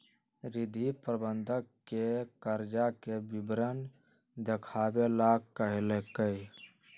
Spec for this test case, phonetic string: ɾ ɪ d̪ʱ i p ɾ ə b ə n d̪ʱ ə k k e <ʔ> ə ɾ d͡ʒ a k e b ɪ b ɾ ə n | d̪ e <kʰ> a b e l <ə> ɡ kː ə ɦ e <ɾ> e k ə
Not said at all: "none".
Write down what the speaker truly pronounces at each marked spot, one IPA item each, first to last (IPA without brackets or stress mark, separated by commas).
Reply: k, kʰ, a, l